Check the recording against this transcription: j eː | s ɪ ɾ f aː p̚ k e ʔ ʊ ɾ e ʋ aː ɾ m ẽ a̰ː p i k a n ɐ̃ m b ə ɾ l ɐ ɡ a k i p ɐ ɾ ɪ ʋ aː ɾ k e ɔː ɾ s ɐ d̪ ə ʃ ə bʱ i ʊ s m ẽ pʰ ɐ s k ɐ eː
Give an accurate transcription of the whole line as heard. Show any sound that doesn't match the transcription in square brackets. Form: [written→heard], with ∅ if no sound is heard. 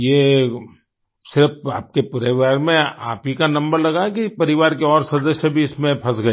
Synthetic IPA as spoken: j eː | s ɪ ɾ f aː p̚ k e [ʔ→p] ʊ ɾ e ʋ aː ɾ m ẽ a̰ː p i k a n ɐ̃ m b ə ɾ l ɐ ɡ a k i p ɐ ɾ ɪ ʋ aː ɾ k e ɔː ɾ s ɐ d̪ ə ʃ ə bʱ i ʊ s m ẽ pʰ ɐ s [k→ɡ] ɐ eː